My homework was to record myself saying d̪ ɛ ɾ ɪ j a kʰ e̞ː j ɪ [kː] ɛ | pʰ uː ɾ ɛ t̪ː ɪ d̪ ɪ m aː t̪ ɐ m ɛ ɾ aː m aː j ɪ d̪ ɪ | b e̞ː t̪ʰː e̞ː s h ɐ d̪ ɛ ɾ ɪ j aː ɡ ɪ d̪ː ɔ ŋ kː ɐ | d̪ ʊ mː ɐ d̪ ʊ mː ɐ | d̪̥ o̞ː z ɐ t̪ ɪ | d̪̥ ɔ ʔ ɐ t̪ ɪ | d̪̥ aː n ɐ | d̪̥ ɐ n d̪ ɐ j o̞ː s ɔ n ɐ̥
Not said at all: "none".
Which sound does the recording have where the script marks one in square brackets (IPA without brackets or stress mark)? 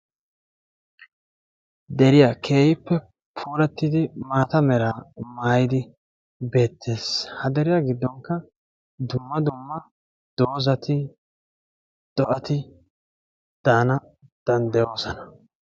pː